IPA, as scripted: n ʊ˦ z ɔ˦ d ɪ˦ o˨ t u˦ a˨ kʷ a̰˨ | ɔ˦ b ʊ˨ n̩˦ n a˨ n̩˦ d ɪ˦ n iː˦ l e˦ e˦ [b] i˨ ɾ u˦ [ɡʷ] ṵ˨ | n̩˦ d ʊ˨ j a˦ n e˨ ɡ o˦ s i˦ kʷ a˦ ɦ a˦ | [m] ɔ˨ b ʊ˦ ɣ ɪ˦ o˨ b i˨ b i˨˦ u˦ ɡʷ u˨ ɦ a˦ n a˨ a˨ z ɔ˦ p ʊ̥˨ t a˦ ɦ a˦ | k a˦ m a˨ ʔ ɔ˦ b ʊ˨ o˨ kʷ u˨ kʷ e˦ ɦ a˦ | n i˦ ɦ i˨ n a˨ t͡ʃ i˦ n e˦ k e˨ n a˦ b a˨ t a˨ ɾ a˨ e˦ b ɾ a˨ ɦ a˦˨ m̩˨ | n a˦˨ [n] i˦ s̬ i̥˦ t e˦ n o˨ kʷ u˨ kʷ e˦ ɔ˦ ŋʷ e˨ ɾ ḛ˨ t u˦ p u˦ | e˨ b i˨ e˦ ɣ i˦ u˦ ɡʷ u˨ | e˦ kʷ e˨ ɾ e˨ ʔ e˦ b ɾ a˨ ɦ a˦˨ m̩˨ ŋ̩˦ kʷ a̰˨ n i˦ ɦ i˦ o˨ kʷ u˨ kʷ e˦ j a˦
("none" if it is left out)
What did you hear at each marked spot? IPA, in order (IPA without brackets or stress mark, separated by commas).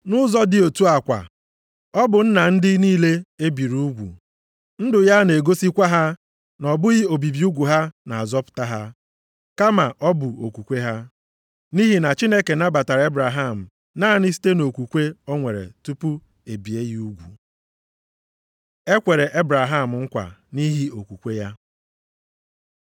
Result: b, ɡʷ, n, n